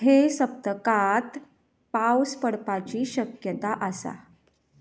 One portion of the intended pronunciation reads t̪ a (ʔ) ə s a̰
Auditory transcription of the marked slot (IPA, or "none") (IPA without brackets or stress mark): ʔ